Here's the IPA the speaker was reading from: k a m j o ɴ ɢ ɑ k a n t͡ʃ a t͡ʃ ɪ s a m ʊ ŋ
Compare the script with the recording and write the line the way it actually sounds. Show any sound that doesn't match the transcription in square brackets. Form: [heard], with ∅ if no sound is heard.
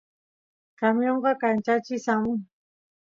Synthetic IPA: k a m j o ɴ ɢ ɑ k a n t͡ʃ a t͡ʃ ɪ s a m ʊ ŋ